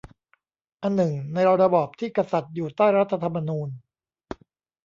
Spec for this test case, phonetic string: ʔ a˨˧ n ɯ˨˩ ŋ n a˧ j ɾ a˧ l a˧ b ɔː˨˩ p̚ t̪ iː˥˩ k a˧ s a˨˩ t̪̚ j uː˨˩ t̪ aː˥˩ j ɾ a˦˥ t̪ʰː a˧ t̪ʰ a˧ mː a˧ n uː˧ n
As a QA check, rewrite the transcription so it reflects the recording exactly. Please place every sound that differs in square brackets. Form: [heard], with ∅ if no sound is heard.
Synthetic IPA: ʔ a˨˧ [nː] ɯ˨˩ ŋ n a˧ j ɾ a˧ [ɾ] a˧ b ɔː˨˩ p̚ [t̪ʰ] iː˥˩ k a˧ s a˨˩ t̪̚ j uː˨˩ t̪ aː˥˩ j ɾ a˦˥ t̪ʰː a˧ t̪ʰ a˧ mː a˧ n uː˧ n